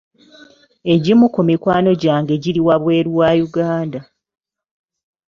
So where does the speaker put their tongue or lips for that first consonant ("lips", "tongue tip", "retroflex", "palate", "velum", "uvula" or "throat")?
palate